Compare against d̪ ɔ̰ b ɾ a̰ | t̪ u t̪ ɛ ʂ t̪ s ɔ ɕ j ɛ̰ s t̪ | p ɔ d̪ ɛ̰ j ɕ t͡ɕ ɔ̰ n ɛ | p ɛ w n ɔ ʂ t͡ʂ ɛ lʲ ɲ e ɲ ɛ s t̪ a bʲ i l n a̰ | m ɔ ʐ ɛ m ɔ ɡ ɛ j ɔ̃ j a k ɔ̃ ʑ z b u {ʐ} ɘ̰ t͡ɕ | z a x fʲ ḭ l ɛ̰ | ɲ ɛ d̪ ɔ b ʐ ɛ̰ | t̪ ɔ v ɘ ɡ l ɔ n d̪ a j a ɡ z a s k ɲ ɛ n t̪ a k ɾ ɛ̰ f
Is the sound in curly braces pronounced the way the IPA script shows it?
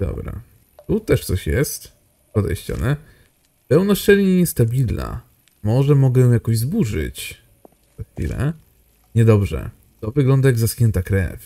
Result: yes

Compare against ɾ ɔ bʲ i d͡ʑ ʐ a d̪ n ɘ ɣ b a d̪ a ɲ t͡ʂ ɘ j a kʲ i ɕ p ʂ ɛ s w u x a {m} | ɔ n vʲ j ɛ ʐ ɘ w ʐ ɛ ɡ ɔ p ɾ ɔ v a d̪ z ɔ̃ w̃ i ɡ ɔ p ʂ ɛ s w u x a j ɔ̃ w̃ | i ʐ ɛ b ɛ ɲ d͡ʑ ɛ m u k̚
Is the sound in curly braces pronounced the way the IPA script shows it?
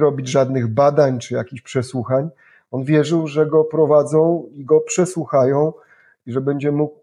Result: no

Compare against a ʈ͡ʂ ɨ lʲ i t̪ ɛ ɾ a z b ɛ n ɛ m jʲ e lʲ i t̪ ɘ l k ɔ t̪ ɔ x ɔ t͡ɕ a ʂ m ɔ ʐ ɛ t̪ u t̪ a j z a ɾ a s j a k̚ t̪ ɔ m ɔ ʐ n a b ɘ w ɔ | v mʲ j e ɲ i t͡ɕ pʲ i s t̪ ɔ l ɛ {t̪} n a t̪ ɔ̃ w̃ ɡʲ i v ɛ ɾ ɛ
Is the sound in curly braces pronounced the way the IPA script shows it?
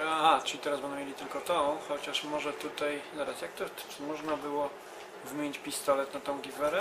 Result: yes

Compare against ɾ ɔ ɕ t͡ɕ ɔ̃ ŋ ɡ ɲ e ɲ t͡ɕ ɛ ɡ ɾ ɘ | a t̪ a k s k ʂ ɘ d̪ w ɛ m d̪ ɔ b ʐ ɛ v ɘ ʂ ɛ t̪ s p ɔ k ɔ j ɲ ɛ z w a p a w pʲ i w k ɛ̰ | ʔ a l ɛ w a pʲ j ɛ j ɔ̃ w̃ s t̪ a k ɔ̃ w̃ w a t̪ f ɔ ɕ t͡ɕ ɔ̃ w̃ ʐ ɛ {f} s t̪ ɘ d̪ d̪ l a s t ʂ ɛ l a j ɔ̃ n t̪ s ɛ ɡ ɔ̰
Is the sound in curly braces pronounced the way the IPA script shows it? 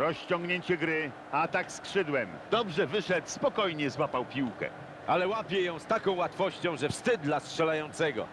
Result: yes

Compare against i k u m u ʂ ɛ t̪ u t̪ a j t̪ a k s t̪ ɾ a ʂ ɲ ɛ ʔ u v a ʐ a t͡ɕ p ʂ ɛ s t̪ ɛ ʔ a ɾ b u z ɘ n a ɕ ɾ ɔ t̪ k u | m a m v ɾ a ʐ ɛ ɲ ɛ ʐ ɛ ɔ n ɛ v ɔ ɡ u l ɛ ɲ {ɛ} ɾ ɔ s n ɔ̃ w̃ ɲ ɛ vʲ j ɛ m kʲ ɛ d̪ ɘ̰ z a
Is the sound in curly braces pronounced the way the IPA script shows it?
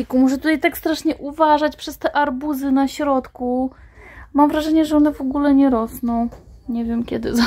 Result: yes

